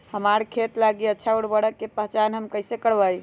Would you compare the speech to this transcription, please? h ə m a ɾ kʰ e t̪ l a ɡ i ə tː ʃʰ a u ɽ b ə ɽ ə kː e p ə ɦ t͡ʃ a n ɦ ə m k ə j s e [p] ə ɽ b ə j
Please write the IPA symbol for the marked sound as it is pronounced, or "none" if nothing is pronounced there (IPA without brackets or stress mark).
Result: k